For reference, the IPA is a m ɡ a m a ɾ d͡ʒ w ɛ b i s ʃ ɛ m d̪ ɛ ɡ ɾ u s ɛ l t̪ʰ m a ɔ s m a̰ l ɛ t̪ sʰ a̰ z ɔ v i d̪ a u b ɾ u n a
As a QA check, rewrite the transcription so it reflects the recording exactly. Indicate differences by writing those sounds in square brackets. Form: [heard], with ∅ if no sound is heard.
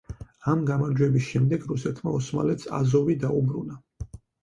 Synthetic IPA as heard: a m ɡ a m a ɾ d͡ʒ w ɛ b i s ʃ ɛ m d̪ ɛ ɡ ɾ u s ɛ [∅] t̪ʰ m a ɔ s m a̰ l ɛ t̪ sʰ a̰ z ɔ v i d̪ a u b ɾ u n a

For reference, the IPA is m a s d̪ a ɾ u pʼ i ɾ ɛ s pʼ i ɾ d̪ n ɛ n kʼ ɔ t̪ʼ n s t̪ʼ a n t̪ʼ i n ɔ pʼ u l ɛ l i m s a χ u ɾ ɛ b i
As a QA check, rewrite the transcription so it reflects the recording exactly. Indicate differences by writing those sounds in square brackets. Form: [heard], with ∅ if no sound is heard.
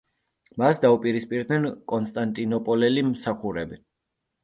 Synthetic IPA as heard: m a s d̪ a [∅] u pʼ i ɾ [i] s pʼ i ɾ d̪ n ɛ n kʼ ɔ [∅] n s t̪ʼ a n t̪ʼ i n ɔ pʼ [ɔ] l ɛ l i m s a χ u ɾ ɛ b i

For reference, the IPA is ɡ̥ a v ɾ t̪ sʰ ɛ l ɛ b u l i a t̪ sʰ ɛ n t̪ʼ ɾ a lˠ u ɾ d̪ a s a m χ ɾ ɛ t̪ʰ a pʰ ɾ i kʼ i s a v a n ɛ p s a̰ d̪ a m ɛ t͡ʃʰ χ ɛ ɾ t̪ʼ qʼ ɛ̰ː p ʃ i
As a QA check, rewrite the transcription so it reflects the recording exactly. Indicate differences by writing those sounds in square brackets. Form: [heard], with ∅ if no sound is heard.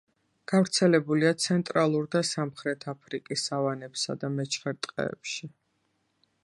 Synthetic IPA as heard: ɡ̥ a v ɾ t̪ sʰ ɛ l ɛ b u l i a t̪ sʰ ɛ n t̪ʼ ɾ a lˠ u ɾ d̪ a s a m χ ɾ ɛ t̪ʰ a pʰ ɾ i kʼ i s a v a n ɛ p s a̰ d̪ a m ɛ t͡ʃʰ χ ɛ ɾ t̪ʼ qʼ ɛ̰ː p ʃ i

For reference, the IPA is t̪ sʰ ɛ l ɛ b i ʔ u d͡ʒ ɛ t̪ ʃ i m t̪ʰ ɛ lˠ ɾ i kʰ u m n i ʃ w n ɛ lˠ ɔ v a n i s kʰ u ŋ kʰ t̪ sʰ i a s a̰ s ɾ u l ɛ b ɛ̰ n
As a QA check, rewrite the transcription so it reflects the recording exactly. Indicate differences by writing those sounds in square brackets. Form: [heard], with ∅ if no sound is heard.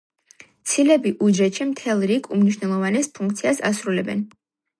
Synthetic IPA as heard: t̪ sʰ [i] l ɛ b i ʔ u d͡ʒ ɛ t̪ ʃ i m t̪ʰ ɛ lˠ ɾ i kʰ u m n i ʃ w n ɛ lˠ ɔ v a n [ɛ] s [pʰ] u ŋ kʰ t̪ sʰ i a s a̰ s ɾ u l ɛ b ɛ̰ n

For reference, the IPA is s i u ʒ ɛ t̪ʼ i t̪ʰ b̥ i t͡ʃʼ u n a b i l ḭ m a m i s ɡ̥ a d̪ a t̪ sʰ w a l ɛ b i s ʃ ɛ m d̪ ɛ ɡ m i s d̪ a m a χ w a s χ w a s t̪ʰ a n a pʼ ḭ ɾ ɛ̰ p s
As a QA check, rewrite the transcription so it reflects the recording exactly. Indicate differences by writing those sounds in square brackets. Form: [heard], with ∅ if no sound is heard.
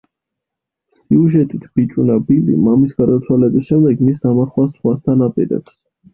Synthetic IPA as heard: s i u ʒ ɛ t̪ʼ i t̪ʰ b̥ i t͡ʃʼ u n a b i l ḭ m a m i s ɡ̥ a d̪ a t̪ sʰ w a l ɛ b i s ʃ ɛ m d̪ ɛ ɡ m i s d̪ a m a χ w a s χ w a s t̪ʰ a n a pʼ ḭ ɾ ɛ̰ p s

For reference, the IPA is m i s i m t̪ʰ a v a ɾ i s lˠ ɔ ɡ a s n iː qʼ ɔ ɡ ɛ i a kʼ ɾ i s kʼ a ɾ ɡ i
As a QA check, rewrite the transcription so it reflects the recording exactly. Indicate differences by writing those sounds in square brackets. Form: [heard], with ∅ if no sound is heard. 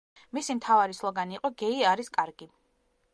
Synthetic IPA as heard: m i s i m t̪ʰ a v a ɾ i s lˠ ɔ ɡ a [∅] n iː qʼ ɔ ɡ ɛ i a [∅] ɾ i s kʼ a ɾ ɡ i

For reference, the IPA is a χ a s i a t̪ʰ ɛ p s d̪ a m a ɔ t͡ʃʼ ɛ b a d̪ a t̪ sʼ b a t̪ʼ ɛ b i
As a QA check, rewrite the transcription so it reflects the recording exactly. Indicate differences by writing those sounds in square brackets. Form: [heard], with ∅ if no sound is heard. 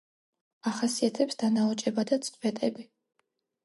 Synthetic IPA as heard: a χ a s i a t̪ʰ ɛ p s d̪ a [n] a ɔ t͡ʃʼ ɛ b a d̪ a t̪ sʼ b [ɛ] t̪ʼ ɛ b i

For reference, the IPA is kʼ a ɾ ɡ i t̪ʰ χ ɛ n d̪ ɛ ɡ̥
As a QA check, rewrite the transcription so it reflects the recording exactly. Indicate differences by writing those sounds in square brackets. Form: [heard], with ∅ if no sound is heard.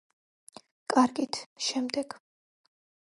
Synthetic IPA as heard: kʼ a ɾ ɡ i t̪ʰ [ʃ] ɛ [m] d̪ ɛ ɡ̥

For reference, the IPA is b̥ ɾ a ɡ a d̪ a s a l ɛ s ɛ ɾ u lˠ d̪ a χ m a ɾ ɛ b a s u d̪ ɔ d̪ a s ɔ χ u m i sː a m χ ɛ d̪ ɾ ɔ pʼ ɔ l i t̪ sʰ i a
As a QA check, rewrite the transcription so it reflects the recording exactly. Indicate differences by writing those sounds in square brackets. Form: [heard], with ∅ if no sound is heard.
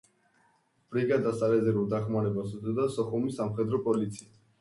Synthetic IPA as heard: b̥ ɾ [i] ɡ a d̪ a s a l ɛ [z] ɛ ɾ u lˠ d̪ a χ m a ɾ ɛ b a s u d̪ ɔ d̪ a s ɔ χ u m i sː a m χ ɛ d̪ ɾ ɔ pʼ ɔ l i t̪ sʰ i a

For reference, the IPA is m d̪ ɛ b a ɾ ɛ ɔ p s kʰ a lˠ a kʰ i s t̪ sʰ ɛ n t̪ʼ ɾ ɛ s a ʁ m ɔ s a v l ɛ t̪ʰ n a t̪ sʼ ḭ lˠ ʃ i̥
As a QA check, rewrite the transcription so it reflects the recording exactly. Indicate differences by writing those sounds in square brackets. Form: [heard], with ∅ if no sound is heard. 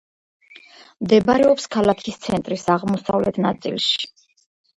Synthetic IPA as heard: m d̪ ɛ b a ɾ ɛ ɔ p s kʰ a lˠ a kʰ i s t̪ sʰ ɛ n t̪ʼ ɾ [i] s a ʁ m ɔ s a v l ɛ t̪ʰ n a t̪ sʼ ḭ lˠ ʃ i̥

